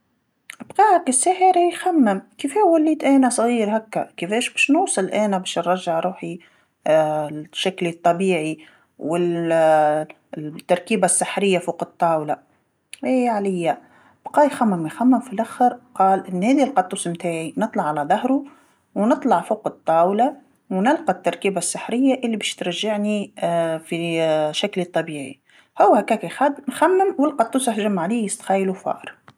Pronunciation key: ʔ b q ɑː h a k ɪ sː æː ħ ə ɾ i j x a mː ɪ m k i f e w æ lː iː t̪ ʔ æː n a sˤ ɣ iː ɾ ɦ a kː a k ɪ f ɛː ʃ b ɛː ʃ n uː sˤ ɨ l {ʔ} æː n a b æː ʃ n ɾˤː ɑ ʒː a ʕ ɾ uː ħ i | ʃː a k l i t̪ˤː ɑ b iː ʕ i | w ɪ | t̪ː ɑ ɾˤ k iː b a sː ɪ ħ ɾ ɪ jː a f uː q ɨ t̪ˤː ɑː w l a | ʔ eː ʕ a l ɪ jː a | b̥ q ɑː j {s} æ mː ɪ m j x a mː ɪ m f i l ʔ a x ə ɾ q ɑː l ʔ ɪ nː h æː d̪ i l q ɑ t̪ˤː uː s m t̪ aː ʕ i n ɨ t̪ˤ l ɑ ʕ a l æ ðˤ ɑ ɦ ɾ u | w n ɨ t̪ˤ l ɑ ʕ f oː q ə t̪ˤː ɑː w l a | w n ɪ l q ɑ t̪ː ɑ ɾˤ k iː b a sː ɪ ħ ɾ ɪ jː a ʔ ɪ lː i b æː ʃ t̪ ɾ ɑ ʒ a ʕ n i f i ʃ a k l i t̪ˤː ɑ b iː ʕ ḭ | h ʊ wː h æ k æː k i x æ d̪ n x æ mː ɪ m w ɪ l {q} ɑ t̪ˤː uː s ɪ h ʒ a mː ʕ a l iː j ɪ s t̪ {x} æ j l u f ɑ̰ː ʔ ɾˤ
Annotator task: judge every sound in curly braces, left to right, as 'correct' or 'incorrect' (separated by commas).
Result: correct, incorrect, correct, correct